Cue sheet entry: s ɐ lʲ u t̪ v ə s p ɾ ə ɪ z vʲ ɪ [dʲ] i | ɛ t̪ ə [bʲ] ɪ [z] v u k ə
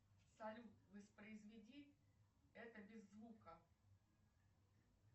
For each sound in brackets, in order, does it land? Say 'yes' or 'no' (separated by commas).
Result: yes, yes, no